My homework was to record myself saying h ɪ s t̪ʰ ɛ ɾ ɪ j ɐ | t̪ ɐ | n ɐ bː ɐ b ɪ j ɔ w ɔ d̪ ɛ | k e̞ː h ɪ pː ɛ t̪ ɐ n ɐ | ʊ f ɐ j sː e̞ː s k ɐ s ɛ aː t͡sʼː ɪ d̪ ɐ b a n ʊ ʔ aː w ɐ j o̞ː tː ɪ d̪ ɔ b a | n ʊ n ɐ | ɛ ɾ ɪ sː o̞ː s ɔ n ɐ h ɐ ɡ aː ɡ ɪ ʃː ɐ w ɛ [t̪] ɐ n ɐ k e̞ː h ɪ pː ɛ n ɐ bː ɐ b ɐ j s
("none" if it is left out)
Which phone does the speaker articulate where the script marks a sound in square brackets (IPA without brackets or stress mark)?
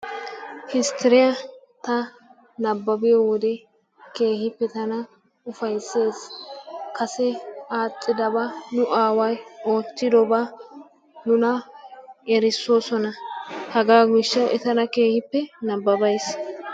t̪